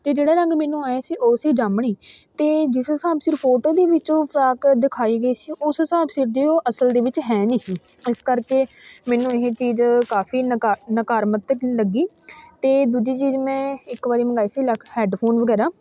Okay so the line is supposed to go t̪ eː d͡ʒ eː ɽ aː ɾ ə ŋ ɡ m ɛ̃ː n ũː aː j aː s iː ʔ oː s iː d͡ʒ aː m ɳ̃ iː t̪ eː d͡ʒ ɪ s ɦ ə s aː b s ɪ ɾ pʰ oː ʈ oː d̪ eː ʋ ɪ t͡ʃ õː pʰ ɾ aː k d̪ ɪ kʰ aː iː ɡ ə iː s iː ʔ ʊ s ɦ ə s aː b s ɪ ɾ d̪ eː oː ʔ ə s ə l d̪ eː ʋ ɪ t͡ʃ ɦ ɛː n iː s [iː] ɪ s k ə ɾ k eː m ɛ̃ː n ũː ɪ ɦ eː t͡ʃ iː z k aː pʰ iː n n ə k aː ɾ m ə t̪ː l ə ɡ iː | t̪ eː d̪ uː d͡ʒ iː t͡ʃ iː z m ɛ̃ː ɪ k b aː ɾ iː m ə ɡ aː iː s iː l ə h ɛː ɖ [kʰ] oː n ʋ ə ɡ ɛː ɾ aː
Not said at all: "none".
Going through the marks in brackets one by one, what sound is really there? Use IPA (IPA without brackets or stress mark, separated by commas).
iː, pʰ